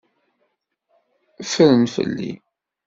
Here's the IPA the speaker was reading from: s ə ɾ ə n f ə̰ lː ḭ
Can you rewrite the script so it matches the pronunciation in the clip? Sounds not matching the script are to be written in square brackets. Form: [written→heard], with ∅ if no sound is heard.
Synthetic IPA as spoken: [s→f] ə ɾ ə n f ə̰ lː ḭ